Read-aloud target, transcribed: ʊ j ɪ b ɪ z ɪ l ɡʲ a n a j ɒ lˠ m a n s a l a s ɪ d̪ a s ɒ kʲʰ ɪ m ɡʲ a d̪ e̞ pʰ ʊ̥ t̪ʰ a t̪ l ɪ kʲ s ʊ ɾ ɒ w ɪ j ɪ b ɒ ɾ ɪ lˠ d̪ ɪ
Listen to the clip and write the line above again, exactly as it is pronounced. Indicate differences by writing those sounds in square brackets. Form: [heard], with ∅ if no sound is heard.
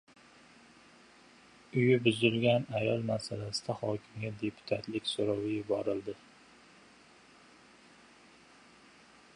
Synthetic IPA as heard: ʊ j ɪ b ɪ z ɪ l ɡʲ a n a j ɒ lˠ m a [∅] s a l a s ɪ d̪ a [h] ɒ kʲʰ ɪ m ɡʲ a d̪ e̞ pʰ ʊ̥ t̪ʰ a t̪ l ɪ kʲ s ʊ ɾ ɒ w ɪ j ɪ b ɒ ɾ ɪ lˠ d̪ ɪ